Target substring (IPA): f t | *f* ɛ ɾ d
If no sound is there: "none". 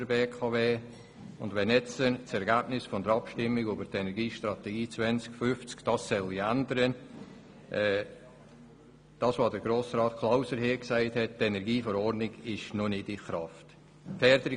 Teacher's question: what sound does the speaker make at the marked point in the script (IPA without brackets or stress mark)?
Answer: f